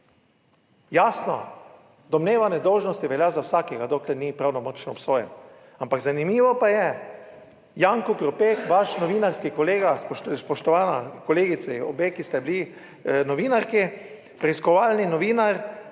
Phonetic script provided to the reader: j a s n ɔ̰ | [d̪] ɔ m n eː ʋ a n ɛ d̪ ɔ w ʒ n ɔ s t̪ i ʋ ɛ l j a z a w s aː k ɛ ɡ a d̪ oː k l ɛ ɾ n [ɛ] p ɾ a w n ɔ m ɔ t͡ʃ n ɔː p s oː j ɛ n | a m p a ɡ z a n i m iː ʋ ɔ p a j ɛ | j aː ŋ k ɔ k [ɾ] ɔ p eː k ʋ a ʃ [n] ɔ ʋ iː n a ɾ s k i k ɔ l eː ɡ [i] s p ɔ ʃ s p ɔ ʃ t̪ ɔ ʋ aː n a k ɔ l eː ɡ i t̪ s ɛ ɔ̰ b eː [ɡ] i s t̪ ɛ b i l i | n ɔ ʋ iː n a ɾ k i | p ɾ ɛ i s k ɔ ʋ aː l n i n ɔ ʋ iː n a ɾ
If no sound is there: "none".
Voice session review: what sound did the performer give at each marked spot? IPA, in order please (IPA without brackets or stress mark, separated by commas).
d̪, i, ɾ, n, a, k